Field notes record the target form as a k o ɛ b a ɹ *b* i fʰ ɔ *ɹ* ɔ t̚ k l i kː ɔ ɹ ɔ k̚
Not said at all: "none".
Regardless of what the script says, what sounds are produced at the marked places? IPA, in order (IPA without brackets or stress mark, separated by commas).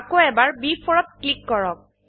b, ɹ